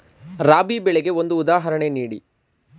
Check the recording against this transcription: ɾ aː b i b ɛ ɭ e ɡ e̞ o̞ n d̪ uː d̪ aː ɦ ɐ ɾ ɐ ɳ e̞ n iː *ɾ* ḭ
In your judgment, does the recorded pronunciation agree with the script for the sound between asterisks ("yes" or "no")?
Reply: no